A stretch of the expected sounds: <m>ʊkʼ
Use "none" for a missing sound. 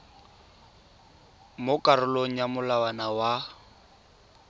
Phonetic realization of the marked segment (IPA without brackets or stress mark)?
m